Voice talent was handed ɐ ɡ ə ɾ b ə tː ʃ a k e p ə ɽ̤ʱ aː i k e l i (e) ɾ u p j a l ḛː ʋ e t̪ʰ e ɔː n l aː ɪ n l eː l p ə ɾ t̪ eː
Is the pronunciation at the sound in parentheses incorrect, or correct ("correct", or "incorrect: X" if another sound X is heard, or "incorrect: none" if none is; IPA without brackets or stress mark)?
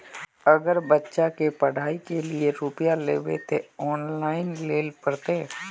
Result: correct